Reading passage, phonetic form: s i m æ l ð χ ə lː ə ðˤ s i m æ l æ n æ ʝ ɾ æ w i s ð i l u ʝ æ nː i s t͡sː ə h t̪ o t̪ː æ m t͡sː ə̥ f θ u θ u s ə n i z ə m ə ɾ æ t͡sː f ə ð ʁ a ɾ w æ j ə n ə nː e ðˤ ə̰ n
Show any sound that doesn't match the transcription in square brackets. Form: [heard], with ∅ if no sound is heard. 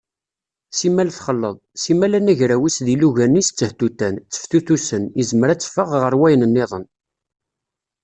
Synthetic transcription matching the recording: s i m æ l [θ] χ ə lː ə ðˤ s i m æ l æ n æ ʝ ɾ æ w i s ð i l u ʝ æ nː i s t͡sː ə h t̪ [u] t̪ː æ [n] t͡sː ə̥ f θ u θ u s ə n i z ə m ə ɾ æ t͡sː f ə [ʁ] ʁ [ə] ɾ w æ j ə n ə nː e ðˤ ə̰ n